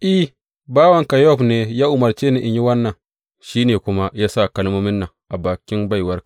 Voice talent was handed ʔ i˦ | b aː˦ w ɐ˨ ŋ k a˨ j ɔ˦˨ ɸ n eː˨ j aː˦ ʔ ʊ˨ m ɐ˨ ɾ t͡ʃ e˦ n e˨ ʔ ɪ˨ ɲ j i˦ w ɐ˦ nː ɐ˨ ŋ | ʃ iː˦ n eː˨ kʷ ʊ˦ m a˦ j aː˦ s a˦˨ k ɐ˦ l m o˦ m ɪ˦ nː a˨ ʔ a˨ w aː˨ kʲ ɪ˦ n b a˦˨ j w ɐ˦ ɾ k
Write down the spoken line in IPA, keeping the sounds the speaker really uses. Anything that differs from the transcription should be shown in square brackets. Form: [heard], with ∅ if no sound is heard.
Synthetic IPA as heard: ʔ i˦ | b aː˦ w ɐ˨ ŋ k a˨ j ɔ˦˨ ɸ n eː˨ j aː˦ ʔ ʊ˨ m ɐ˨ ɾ t͡ʃ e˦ n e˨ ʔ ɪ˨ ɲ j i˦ w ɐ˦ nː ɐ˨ ŋ | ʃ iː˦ n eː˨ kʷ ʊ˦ m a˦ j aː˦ s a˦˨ k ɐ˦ l m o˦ m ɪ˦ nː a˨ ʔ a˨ [b] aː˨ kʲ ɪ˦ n b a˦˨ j w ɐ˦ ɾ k